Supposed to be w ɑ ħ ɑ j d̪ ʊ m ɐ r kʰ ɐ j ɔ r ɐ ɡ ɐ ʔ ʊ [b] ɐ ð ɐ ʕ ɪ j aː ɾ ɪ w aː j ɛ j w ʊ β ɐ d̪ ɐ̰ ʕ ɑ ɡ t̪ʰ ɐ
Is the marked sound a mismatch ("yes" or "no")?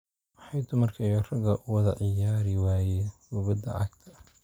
yes